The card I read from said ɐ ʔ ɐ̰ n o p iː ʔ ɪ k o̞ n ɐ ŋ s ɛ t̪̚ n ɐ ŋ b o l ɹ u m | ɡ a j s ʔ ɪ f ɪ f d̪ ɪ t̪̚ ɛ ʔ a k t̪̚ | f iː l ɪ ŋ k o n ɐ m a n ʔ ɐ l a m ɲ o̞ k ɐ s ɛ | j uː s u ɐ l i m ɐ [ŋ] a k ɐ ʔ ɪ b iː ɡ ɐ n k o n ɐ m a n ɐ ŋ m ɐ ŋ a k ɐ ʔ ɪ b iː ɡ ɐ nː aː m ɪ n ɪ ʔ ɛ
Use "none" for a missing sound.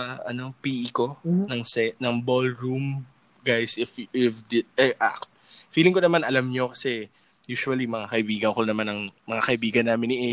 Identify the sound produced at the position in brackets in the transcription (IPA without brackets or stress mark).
ŋ